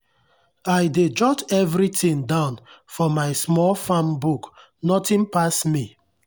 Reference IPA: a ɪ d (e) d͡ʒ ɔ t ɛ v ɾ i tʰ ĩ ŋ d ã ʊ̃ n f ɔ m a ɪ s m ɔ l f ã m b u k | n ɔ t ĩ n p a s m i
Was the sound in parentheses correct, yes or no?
yes